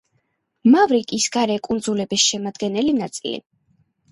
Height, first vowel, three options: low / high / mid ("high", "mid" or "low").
low